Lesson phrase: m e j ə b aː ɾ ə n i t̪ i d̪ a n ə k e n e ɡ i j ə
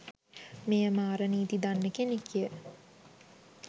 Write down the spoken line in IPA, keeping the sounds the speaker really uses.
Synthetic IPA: m e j ə m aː ɾ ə n iː t̪ i d̪ a nː ə k e n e k i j ə